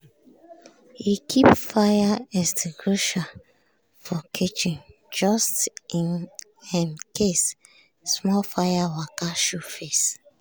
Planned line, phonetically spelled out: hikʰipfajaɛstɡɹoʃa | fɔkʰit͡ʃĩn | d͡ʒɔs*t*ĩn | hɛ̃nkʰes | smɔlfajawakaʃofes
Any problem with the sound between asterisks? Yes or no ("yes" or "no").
no